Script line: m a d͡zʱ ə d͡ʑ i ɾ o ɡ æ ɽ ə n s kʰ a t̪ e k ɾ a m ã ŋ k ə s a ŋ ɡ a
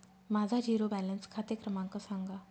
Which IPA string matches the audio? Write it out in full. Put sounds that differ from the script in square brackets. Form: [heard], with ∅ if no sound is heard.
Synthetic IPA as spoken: m a d͡zʱ [a] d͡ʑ i ɾ o [b] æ [l] ə n s kʰ a t̪ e k ɾ [ə] m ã ŋ k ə s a ŋ ɡ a

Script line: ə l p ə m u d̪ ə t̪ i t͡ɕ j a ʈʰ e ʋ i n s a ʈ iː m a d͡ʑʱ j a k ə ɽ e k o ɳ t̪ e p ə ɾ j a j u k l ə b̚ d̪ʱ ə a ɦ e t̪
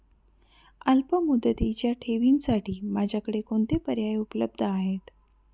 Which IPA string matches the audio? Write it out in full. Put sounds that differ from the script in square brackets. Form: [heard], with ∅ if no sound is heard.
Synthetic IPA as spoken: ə l p ə m u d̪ ə t̪ i t͡ɕ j a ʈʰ e ʋ i n s a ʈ iː m a d͡ʑʱ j a k ə ɽ e k o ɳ t̪ e p ə ɾ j a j u [p] l ə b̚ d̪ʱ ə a ɦ e t̪

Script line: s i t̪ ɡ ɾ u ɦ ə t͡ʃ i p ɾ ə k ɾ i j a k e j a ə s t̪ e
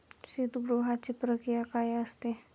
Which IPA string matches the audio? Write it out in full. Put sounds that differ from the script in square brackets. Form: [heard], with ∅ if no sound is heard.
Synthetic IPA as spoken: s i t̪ ɡ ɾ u ɦ [a] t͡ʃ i p ɾ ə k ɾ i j a k [a] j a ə s t̪ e

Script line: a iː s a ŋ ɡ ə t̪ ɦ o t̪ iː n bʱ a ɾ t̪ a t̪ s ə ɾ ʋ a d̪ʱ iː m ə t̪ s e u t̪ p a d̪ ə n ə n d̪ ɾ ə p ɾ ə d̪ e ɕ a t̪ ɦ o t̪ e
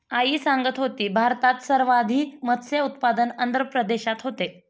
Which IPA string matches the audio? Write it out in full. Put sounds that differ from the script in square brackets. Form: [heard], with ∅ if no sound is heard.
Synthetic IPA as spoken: a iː s a ŋ ɡ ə t̪ ɦ o t̪ iː [∅] bʱ a ɾ t̪ a t̪ s ə ɾ ʋ a d̪ʱ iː m ə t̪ s e u t̪ p a d̪ ə n ə n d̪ ɾ ə p ɾ ə d̪ e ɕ a t̪ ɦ o t̪ e

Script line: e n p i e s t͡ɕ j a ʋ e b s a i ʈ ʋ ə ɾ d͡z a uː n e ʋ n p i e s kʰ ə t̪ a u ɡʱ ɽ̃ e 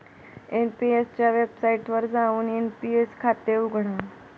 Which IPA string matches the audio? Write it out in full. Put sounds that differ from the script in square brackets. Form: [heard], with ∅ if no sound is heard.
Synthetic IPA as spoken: e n p i e s t͡ɕ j a ʋ e b s a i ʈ ʋ ə ɾ d͡z a uː n e [∅] n p i e s kʰ [a] t̪ [e] u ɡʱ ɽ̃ [a]

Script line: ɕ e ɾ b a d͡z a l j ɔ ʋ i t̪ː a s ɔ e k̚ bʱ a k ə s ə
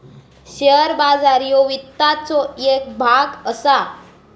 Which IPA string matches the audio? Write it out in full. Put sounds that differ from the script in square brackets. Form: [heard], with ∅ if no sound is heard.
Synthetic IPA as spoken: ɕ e ɾ b a d͡z a [ɾ] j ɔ ʋ i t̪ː a [t͡s] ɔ e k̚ bʱ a [ɡ] ə s [a]

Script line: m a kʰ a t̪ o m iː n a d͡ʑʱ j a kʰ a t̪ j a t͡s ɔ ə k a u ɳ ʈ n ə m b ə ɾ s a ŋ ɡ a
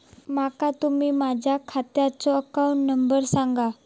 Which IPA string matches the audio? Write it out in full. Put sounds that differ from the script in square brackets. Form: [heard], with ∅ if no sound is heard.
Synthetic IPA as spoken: m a [k] a t̪ [u] m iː [m] a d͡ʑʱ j a kʰ a t̪ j a t͡s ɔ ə k a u ɳ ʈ n ə m b ə ɾ s a ŋ ɡ a

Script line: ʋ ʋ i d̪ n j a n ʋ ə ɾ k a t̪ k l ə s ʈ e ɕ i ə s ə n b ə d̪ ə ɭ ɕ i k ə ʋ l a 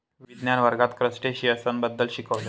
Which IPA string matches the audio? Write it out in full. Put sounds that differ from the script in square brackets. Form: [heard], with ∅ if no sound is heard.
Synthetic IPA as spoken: ʋ ʋ i d̪ n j a n ʋ ə ɾ [ɡ] a t̪ k [ɾ] ə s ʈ e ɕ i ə s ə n b ə [d̪ː] ə [l] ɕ i k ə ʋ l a

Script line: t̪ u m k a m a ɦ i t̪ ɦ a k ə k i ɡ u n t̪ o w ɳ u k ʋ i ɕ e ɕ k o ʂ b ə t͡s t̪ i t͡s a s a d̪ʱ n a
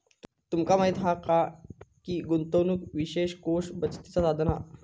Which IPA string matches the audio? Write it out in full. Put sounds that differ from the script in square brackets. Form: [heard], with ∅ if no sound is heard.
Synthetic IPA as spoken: t̪ u m k a m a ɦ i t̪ ɦ a k [a] k i ɡ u n t̪ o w [n] u k ʋ i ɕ e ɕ k o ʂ b ə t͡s t̪ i t͡s a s a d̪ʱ n a

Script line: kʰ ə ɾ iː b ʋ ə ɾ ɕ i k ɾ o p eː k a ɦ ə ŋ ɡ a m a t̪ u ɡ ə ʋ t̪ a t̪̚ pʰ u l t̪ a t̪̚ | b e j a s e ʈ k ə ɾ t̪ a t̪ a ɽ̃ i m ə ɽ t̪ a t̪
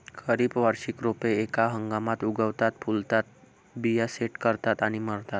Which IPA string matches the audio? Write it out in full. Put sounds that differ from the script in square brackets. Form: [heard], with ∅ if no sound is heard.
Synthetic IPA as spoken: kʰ ə ɾ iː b ʋ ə ɾ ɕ i k ɾ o p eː k a ɦ ə ŋ ɡ a m a t̪ u ɡ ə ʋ t̪ a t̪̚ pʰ u l t̪ a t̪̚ | b [i] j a s e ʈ k ə ɾ t̪ a t̪ a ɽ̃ i m ə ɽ t̪ a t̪

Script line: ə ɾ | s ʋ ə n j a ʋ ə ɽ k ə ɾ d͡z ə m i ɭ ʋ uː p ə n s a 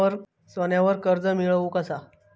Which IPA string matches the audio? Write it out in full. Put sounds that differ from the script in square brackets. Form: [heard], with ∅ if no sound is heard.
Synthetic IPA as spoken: ə ɾ | s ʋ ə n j a ʋ ə [ɾ] k ə ɾ d͡z ə m i ɭ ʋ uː [k] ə [∅] s a

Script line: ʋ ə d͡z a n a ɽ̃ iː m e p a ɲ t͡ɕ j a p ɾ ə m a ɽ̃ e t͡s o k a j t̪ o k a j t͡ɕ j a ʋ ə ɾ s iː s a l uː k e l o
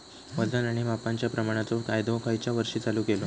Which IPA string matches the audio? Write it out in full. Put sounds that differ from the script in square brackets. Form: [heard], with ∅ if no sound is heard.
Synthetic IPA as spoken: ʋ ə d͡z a n a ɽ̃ [i] m [a] p a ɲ t͡ɕ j a p ɾ ə m a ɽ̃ [a] t͡s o k a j [d̪] o k a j t͡ɕ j a ʋ ə ɾ [ʂ] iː [t͡s] a l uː k e l o

